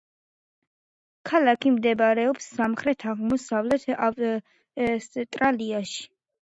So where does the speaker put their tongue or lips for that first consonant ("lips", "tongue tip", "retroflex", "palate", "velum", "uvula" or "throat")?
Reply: velum